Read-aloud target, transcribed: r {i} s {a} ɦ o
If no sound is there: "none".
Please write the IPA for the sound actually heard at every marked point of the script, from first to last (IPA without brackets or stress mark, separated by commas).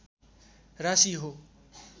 a, i